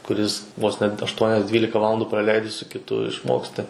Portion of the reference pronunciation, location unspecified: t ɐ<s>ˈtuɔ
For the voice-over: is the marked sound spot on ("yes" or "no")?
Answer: no